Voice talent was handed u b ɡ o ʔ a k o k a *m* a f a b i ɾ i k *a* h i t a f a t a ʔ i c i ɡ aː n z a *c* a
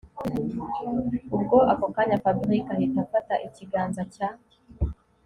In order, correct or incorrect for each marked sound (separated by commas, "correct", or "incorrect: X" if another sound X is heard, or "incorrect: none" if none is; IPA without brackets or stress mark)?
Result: incorrect: ɲ, correct, correct